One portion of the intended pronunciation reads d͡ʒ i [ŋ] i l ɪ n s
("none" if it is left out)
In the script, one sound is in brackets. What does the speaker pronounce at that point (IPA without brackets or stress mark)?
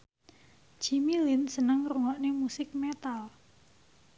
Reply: m